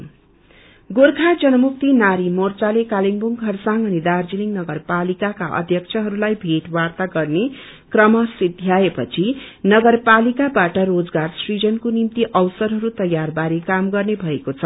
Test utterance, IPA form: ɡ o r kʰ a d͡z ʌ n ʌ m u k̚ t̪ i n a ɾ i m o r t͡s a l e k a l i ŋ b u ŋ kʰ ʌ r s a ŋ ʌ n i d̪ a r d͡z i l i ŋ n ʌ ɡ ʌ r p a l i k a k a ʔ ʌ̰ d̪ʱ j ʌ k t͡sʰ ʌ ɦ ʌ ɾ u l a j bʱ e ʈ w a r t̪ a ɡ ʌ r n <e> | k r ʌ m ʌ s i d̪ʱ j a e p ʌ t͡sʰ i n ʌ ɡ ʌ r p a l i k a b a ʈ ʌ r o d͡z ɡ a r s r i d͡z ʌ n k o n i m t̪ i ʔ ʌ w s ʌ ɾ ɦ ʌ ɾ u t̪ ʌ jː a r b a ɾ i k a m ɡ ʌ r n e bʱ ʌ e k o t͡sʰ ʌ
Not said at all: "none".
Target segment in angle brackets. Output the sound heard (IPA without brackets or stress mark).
e